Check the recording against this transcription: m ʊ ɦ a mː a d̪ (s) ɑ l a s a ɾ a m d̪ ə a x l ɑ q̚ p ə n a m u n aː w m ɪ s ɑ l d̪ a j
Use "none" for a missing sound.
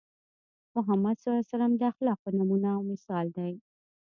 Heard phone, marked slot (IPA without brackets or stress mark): s